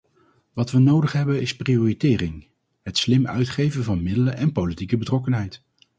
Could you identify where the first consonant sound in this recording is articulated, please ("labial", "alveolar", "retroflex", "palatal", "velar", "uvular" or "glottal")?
labial